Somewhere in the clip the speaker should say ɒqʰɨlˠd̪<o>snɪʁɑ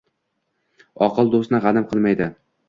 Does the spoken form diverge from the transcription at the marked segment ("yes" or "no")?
no